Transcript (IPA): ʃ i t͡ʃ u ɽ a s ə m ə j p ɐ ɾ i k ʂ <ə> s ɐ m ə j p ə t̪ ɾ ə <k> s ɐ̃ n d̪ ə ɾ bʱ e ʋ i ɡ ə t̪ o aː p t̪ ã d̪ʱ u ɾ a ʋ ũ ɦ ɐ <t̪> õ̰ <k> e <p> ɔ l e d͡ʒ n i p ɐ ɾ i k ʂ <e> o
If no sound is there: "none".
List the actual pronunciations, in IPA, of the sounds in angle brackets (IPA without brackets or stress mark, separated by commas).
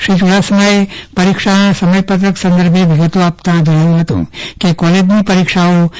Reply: a, k, t̪, k, k, a